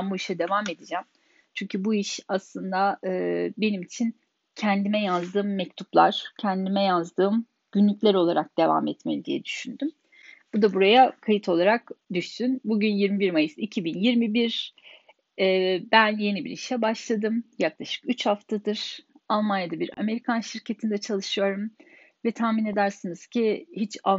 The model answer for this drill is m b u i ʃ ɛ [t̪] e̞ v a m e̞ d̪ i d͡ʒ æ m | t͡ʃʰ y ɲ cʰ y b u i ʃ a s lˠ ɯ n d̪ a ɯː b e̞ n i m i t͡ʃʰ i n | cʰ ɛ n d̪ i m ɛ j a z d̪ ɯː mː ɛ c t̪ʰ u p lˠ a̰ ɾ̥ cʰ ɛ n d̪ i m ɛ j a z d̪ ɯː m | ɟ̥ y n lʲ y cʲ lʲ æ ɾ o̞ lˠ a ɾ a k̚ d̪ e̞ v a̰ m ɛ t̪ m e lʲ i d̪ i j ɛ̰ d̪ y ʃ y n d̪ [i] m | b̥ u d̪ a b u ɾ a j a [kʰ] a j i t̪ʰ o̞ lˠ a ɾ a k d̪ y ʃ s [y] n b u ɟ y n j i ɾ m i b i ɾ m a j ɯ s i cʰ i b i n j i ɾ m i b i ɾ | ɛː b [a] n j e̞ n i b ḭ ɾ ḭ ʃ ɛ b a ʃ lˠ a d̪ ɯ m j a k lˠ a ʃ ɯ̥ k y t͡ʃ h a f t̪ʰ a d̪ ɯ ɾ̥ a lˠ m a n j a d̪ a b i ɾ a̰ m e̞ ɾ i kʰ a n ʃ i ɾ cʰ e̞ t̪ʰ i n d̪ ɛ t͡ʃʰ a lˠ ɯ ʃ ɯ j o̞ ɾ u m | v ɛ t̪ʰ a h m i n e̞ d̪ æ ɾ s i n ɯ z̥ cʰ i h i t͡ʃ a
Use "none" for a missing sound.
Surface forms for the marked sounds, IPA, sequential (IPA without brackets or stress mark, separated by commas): d̪, y, kʰ, y, æ